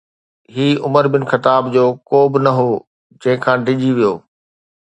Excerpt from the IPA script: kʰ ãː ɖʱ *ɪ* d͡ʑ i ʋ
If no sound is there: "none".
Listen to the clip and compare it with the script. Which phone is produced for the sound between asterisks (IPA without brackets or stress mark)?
ɪ